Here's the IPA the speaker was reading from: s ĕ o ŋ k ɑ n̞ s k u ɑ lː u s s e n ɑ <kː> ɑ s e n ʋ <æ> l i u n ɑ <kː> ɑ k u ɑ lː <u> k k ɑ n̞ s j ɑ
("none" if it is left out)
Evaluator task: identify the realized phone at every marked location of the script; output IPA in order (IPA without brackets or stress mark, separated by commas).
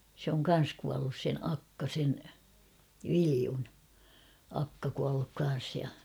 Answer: kː, i, kː, u